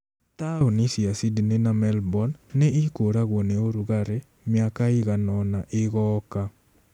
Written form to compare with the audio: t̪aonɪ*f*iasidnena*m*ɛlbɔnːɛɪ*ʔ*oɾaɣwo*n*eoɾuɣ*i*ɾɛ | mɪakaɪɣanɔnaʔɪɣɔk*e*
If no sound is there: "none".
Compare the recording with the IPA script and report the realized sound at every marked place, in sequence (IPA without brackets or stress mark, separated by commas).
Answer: s, m, k, n, a, a